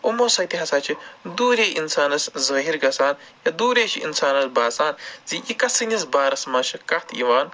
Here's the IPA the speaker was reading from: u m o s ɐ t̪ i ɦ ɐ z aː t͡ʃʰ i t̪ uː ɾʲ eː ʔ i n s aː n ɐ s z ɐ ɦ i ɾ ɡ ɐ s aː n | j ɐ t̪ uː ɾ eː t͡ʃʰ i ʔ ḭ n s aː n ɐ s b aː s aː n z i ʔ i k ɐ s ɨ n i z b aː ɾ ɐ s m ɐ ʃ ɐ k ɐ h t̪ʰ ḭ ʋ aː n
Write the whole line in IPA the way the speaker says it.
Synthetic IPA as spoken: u m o s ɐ t̪ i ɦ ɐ s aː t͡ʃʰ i d̪ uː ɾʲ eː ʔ i n s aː n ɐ s z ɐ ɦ i ɾ ɡ ɐ s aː n | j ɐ d̪ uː ɾ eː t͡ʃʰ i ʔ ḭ n s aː n ɐ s b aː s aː n z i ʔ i k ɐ s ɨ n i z b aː ɾ ɐ s m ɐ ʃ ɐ k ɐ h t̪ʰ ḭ ʋ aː n